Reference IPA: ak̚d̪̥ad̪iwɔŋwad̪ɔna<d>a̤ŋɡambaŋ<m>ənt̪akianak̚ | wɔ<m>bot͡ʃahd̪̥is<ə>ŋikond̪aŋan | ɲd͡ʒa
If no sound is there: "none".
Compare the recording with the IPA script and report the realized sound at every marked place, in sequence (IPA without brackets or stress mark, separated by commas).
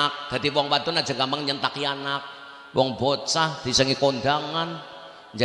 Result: d͡ʒ, ɲ, ŋ, ə